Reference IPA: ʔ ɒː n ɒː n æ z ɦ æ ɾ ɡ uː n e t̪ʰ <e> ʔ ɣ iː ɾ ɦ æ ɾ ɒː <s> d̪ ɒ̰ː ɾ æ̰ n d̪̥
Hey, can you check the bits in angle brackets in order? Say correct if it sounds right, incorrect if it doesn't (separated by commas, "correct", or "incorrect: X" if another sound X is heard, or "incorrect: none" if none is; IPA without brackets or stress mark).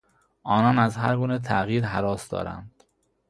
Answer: incorrect: æ, correct